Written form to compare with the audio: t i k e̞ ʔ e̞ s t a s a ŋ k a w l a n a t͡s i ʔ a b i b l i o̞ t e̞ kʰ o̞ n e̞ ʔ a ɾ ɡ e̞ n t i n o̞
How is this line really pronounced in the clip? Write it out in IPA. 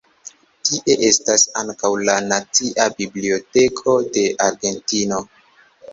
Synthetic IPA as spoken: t i ʔ e̞ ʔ e̞ s t a s a ŋ k a w l a n a t͡s i ʔ a b i b l i o̞ t e̞ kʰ o̞ d e̞ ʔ a ɾ ɡ e̞ n t i n o̞